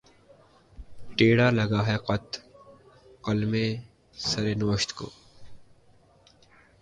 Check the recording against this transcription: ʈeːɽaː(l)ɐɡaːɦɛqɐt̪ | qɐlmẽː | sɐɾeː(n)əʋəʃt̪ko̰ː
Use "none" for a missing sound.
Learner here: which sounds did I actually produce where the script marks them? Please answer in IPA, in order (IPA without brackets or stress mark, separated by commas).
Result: l, n